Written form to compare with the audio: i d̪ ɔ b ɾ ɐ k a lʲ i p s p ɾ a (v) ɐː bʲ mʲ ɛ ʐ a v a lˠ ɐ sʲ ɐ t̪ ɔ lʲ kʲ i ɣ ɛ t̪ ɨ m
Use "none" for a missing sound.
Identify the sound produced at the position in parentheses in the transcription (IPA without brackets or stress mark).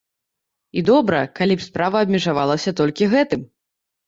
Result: v